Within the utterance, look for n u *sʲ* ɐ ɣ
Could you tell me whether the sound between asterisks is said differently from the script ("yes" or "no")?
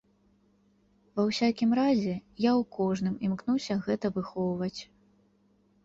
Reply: no